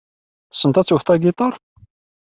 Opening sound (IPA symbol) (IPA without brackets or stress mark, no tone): θ